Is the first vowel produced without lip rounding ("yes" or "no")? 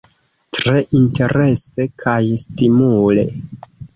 yes